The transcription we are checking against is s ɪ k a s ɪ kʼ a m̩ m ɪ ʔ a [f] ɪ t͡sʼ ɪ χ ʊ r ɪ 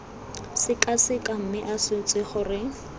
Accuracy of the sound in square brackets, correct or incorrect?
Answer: incorrect